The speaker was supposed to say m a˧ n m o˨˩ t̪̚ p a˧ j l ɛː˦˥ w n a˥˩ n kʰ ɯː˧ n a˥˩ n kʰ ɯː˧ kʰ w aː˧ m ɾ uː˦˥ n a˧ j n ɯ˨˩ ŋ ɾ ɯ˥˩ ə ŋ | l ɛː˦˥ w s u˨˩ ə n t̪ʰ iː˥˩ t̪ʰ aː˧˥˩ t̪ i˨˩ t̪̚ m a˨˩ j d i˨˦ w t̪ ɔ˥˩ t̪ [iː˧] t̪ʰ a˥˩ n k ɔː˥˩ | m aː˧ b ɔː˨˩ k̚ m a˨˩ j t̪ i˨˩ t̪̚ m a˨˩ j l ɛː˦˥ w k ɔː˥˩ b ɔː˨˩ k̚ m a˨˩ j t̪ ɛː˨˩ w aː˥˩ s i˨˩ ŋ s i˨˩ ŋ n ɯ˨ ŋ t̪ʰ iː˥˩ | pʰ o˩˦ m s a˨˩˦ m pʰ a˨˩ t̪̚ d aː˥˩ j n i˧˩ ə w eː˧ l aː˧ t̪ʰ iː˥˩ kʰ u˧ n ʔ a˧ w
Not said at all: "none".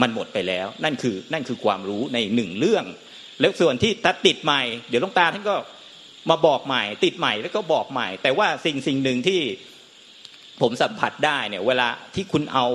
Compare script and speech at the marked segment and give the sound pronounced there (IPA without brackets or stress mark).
aː˧